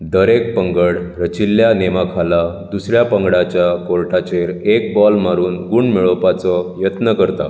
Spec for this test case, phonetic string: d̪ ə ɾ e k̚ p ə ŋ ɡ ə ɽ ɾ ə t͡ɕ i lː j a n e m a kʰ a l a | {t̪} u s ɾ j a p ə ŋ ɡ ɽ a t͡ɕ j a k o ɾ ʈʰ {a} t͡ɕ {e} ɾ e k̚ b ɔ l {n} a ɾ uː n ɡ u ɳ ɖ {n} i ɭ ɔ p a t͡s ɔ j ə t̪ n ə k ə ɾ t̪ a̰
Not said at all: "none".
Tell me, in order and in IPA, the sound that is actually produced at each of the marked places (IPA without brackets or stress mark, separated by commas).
d̪, a, e, m, m